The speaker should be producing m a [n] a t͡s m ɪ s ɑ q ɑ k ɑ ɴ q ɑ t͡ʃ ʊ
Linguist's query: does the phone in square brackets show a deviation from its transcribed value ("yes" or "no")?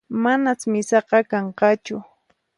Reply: no